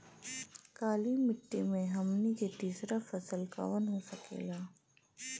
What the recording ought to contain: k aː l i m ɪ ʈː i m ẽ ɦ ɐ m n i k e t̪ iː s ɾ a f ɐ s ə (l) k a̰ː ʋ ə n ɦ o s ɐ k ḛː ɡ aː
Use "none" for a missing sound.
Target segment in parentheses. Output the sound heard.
l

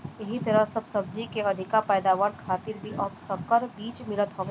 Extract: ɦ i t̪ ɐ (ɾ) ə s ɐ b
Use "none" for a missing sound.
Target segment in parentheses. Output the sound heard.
ɾ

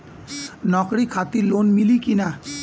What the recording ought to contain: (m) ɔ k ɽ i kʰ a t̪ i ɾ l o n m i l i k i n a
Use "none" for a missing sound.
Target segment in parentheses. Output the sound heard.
n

